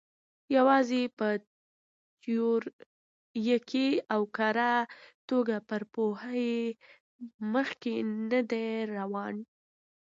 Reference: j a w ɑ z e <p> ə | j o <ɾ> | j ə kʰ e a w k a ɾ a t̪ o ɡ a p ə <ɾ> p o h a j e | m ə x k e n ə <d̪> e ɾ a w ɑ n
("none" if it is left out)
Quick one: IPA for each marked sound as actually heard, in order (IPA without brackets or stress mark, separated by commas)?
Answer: p, ɾ, ɾ, d̪